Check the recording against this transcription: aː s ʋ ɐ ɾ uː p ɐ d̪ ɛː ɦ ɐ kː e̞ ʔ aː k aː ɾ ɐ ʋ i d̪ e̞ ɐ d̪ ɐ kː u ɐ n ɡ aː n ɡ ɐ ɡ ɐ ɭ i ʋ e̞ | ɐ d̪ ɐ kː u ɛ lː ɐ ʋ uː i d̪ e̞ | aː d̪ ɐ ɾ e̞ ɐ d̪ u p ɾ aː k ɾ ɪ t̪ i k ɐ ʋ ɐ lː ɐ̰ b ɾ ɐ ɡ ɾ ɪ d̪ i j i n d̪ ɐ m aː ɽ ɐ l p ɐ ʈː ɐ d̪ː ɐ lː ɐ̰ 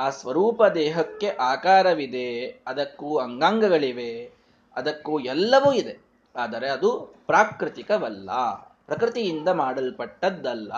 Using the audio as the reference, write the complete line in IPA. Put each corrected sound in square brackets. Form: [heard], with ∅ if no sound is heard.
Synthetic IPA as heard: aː s ʋ ɐ ɾ uː p ɐ d̪ ɛː ɦ ɐ kː e̞ ʔ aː k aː ɾ ɐ ʋ i d̪ e̞ ɐ d̪ ɐ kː u ɐ [ŋ] ɡ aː [ŋ] ɡ ɐ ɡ ɐ ɭ i ʋ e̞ | ɐ d̪ ɐ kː u ɛ lː ɐ ʋ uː i d̪ e̞ | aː d̪ ɐ ɾ e̞ ɐ d̪ u p ɾ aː k ɾ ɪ t̪ i k ɐ ʋ ɐ lː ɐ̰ [p] ɾ ɐ [k] ɾ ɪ [t̪] i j i n d̪ ɐ m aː ɽ ɐ l p ɐ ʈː ɐ d̪ː ɐ lː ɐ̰